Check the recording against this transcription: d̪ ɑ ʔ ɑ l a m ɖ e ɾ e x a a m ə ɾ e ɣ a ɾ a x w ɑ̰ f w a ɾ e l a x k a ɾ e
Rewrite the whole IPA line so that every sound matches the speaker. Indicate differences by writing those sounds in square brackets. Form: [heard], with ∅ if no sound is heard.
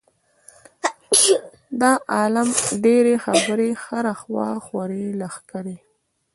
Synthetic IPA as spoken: d̪ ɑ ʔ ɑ l a m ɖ e ɾ e x a a [b] ə ɾ e [x] a ɾ a x w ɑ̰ [x] w a ɾ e l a x k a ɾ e

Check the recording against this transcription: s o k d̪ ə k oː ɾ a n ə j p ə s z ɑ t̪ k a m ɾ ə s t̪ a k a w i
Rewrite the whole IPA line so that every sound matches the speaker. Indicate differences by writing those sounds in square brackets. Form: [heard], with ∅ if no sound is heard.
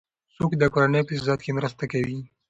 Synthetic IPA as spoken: s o k d̪ ə k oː ɾ a n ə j p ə s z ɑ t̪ k [e] m ɾ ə s t̪ a k a w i

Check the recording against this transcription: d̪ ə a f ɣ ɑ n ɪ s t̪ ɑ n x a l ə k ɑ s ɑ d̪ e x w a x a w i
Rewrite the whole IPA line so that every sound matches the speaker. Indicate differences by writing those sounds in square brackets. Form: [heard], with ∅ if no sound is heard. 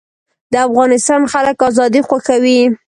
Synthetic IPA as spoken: d̪ ə a f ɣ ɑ n ɪ s t̪ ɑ n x a l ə k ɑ [z] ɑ d̪ [i] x w a x a w i

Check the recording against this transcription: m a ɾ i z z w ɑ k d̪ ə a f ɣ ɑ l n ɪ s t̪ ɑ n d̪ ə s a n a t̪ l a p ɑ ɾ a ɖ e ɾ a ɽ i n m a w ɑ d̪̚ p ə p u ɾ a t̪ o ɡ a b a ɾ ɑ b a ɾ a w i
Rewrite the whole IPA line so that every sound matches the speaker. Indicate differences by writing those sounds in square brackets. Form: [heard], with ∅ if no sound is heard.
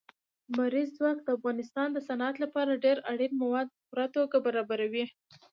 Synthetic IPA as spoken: m a ɾ i z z w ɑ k d̪ ə a f ɣ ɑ [∅] n ɪ s t̪ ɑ n d̪ ə s a n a t̪ l a p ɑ ɾ a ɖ e ɾ a ɽ i n m a w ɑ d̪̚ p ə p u ɾ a t̪ o ɡ a b a ɾ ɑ b a ɾ a w i

